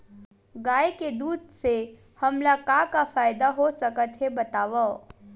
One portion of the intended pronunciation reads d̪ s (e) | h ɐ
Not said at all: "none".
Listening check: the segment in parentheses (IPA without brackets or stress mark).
e